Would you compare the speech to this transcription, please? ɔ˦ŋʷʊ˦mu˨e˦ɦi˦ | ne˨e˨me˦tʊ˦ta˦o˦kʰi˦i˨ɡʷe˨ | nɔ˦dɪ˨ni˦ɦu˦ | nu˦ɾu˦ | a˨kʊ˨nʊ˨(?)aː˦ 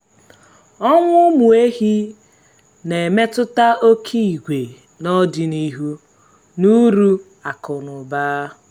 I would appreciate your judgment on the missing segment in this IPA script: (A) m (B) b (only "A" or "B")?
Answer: B